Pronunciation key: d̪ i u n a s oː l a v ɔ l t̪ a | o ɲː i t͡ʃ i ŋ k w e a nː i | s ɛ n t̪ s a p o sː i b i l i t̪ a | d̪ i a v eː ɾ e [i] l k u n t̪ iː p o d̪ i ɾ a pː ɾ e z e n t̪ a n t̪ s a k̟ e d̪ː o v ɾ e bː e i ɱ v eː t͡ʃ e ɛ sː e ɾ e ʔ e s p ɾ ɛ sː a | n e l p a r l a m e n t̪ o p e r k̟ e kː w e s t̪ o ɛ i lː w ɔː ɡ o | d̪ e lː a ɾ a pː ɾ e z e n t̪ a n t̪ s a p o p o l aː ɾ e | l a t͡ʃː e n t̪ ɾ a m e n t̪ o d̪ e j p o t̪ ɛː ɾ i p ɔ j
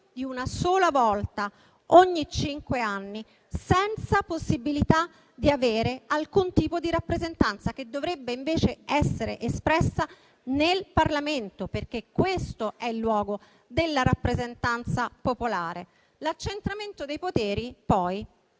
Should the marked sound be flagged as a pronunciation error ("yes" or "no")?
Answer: yes